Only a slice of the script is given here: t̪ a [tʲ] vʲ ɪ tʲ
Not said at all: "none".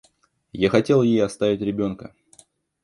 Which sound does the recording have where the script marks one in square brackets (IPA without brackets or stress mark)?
none